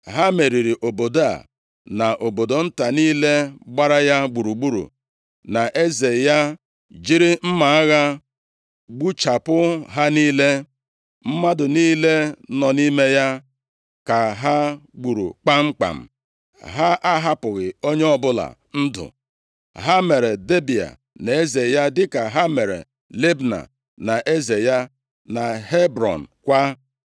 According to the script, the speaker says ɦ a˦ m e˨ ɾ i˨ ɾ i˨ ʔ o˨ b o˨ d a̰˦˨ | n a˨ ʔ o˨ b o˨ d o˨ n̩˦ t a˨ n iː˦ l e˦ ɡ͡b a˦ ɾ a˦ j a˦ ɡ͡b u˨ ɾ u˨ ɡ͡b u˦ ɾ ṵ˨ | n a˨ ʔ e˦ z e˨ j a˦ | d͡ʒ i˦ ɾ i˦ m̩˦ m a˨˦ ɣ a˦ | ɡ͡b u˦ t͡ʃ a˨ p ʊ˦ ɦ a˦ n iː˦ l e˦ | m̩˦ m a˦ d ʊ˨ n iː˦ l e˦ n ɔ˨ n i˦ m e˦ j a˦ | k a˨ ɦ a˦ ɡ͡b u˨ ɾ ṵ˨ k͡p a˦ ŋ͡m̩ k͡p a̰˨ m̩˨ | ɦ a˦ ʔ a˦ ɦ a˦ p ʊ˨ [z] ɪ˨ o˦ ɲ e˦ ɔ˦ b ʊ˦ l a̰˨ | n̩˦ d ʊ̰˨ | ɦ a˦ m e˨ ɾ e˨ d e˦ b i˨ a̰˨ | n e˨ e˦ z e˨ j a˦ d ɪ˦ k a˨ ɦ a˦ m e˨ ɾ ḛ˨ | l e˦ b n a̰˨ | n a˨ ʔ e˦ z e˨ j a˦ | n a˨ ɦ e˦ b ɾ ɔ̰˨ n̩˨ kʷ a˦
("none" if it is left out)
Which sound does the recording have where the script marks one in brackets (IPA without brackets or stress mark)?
ɣ